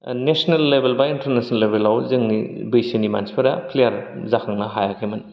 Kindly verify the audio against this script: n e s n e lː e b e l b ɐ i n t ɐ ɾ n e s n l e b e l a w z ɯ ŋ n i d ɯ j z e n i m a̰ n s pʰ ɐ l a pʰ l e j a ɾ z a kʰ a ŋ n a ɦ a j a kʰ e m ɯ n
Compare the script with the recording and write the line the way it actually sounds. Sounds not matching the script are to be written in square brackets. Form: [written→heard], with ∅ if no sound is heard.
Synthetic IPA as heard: n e s n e lː e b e l b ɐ i n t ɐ ɾ n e s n l e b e l a w z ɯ ŋ n i [d→b] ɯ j [z→s] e n i m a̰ n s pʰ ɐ [l→ɾ] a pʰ l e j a ɾ z a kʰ a ŋ n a ɦ a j a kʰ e m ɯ n